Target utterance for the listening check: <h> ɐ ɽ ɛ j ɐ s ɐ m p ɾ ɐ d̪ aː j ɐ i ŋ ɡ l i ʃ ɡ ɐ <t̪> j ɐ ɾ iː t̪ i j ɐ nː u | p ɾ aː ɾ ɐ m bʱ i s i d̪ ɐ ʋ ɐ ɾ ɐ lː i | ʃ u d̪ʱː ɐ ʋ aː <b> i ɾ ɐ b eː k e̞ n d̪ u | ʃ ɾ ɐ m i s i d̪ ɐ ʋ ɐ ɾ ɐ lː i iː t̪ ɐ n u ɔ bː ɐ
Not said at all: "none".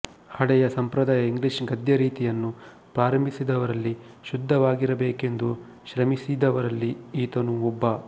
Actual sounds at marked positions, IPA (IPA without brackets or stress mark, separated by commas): h, d̪, ɡ